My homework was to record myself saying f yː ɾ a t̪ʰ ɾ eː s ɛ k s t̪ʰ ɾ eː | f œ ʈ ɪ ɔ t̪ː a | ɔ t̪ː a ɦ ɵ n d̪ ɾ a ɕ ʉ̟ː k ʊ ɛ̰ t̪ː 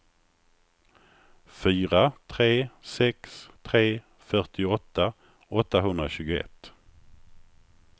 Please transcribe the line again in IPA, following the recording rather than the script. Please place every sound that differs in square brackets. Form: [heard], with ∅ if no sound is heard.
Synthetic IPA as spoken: f yː ɾ a t̪ʰ ɾ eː s ɛ k s t̪ʰ ɾ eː | f œ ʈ ɪ ɔ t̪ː a | ɔ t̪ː a ɦ ɵ n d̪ ɾ a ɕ ʉ̟ː [ɡ] ʊ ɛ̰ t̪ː